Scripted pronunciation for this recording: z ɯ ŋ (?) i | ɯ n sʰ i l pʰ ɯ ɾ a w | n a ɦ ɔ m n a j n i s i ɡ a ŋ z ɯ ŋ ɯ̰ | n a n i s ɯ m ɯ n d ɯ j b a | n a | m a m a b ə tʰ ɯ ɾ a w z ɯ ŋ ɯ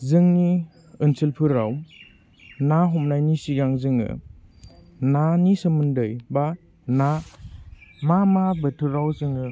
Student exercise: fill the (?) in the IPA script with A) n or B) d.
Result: A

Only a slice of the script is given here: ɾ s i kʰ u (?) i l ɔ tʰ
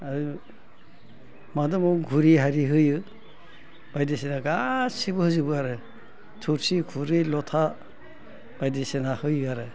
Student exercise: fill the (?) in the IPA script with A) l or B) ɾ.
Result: B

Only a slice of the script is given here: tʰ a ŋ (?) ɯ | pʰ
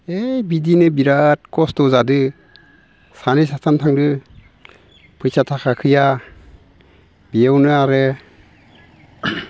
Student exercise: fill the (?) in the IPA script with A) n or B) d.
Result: B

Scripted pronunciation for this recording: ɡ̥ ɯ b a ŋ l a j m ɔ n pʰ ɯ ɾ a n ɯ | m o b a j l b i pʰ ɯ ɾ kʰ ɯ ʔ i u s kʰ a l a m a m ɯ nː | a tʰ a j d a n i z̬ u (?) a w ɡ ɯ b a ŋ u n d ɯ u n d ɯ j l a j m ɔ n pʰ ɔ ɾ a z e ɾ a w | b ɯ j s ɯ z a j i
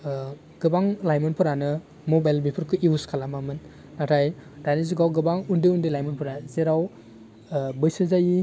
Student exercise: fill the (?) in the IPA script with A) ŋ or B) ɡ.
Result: B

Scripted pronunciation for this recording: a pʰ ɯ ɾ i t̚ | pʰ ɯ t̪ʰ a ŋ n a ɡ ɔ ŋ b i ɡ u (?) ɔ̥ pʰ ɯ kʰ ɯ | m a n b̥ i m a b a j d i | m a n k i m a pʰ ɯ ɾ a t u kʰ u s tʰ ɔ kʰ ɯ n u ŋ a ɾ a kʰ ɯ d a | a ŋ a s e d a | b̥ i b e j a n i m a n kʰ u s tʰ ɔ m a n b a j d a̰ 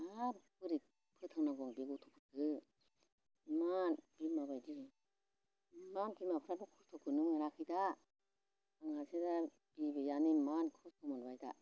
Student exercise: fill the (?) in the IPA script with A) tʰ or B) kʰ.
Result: A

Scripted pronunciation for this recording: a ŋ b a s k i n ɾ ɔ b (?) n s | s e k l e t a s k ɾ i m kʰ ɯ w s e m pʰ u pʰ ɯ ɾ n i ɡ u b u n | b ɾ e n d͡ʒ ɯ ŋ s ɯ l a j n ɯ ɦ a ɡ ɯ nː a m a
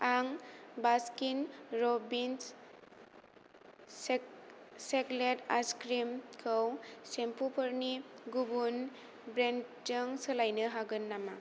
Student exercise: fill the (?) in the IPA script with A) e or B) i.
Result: B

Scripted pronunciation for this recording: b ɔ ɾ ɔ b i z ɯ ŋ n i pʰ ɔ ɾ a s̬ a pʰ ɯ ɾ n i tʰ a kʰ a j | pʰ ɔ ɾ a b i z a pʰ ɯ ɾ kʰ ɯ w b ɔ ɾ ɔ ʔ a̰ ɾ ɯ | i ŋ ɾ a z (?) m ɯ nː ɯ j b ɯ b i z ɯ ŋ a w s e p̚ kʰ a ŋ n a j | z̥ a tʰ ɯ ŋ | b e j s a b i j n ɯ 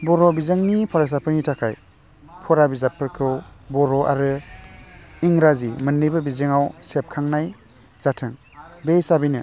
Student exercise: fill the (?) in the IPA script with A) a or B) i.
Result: B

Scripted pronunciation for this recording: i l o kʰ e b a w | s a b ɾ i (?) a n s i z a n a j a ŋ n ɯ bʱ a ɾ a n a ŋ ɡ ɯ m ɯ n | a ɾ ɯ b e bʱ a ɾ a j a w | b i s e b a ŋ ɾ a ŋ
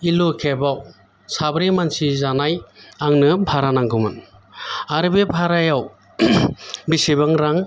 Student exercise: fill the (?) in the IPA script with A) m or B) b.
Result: A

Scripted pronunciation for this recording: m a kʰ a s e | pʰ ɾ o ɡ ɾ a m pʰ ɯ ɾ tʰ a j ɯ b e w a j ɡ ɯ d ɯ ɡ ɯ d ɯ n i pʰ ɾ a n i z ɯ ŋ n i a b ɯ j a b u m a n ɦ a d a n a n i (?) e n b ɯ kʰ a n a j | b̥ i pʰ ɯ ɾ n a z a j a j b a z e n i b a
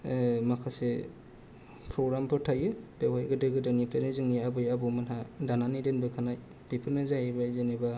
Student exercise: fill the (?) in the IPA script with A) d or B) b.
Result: A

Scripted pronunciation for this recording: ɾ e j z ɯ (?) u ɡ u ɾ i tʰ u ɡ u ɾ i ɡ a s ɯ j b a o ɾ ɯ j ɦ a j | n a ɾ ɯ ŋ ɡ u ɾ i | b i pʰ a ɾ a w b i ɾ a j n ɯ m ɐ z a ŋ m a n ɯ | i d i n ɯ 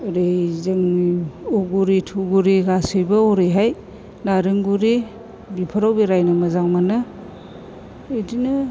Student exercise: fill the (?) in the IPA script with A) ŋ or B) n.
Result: A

